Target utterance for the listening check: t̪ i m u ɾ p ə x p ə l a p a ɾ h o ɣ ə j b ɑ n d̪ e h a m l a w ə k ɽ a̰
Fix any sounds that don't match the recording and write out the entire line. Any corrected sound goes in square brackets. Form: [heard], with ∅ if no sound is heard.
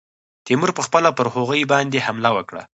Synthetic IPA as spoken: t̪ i m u ɾ p ə x p ə l a p [ə] ɾ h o ɣ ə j b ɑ n d̪ e h a m l a w ə k ɽ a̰